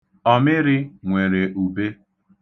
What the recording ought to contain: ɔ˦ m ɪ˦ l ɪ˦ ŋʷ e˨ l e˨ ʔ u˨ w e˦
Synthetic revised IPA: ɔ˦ m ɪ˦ ɾ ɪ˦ ŋʷ e˨ ɾ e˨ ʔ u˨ b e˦